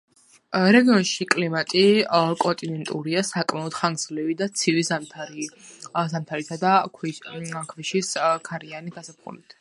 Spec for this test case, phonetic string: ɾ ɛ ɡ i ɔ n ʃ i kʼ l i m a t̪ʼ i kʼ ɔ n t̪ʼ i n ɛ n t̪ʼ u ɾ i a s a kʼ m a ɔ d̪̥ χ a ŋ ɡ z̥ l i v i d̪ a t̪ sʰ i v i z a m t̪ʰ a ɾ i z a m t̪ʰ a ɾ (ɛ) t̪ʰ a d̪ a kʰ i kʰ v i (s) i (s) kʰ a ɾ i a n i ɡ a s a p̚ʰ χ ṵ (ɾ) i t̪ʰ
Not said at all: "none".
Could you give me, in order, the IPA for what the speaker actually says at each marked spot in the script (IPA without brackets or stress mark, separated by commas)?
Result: i, ʃ, s, l